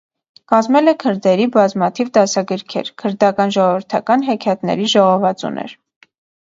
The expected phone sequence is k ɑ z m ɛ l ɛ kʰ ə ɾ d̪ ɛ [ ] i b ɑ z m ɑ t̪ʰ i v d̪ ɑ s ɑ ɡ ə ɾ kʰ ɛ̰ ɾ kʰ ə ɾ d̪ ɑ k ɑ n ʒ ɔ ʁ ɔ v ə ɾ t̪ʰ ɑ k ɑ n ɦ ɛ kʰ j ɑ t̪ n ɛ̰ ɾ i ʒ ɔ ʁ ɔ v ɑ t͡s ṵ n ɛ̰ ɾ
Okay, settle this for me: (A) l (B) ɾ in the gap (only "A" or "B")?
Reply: B